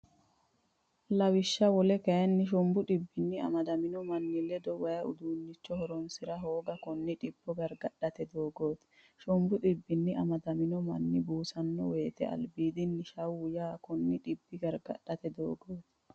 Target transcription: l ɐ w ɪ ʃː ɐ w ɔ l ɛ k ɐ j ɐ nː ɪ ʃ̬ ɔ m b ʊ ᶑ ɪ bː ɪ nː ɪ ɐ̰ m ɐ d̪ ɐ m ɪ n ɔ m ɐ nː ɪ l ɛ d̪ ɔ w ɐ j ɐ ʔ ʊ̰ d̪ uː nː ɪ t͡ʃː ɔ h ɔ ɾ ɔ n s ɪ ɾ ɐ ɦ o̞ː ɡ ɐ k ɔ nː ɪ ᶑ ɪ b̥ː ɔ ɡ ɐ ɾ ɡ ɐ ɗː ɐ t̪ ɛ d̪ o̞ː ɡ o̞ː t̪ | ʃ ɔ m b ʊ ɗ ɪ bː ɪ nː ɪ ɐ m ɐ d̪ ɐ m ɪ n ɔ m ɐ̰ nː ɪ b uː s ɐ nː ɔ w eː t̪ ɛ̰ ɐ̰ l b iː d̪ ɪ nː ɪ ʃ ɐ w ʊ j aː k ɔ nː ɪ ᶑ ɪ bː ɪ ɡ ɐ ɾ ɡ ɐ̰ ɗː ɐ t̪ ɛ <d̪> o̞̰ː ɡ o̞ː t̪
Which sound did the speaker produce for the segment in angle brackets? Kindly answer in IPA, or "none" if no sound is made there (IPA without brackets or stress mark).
d̪